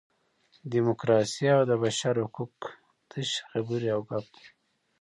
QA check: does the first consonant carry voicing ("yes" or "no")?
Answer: yes